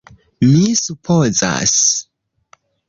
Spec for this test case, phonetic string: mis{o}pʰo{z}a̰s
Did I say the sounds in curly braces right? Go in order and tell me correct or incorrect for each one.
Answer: incorrect: u, correct

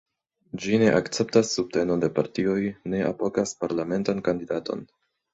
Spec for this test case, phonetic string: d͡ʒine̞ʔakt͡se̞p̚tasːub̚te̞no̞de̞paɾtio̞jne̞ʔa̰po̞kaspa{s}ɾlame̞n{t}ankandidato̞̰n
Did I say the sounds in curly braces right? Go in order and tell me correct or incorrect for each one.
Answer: incorrect: none, correct

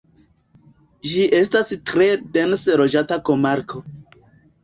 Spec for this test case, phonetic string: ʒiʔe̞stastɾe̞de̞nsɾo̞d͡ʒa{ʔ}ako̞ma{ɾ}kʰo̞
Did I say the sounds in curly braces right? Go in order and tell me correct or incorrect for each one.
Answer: incorrect: t, correct

